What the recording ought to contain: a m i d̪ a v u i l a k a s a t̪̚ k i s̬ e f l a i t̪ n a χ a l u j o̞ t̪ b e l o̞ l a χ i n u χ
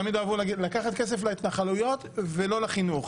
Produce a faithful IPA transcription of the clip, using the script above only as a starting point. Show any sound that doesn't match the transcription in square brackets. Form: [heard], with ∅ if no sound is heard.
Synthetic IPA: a m i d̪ a v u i l a k a [χ] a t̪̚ k [e] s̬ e f l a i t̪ n a χ a l u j o̞ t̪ [v] e l o̞ l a χ i n u χ